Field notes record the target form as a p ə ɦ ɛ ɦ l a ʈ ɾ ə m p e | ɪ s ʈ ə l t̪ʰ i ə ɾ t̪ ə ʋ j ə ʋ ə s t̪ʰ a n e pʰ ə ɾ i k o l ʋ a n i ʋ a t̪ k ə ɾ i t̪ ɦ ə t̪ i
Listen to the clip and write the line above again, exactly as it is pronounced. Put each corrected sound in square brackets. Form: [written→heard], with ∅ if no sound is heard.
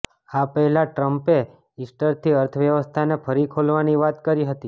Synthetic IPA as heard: a p ə ɦ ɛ [ɦ→∅] l a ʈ ɾ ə m p e | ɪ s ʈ ə [l→ɾ] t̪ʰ i ə ɾ [t̪→t̪ʰ] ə ʋ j ə ʋ ə s t̪ʰ a n e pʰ ə ɾ i [k→kʰ] o l ʋ a n i ʋ a t̪ k ə ɾ i [t̪→∅] ɦ ə t̪ i